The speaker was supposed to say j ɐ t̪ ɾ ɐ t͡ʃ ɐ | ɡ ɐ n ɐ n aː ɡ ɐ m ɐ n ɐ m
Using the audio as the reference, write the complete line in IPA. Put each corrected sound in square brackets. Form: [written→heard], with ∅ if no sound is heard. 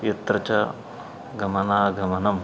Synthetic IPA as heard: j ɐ t̪ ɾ ɐ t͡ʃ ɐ | ɡ ɐ [n→m] ɐ n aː ɡ ɐ m ɐ n ɐ m